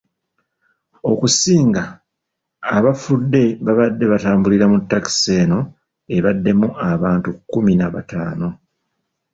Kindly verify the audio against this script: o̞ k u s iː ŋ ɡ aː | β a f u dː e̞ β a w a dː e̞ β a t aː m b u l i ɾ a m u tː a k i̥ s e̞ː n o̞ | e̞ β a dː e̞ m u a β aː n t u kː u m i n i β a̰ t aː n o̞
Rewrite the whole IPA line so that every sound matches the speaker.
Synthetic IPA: o̞ k u s iː ŋ ɡ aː | β a f u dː e̞ β a β a dː e̞ β a t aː m b u l i ɾ a m u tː a k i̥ s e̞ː n o̞ | e̞ β a dː e̞ m u a β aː n t u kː u m i n a β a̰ t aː n o̞